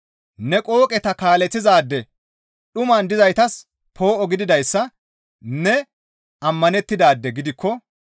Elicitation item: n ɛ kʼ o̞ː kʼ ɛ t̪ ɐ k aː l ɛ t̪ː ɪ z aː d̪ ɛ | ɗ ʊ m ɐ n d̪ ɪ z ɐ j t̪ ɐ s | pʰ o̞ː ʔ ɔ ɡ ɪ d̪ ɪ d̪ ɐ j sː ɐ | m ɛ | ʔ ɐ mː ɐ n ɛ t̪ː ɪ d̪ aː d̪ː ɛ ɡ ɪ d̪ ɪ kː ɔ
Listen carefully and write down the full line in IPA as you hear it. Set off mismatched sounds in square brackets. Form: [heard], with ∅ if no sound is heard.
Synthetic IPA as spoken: n ɛ kʼ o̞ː kʼ ɛ t̪ ɐ k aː l ɛ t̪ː ɪ z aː [d̪ː] ɛ | ɗ ʊ m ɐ n d̪ ɪ z ɐ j t̪ ɐ s | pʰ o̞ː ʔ ɔ ɡ ɪ d̪ ɪ d̪ ɐ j sː ɐ | [n] ɛ | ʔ ɐ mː ɐ n ɛ t̪ː ɪ d̪ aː d̪ː ɛ ɡ ɪ d̪ ɪ kː ɔ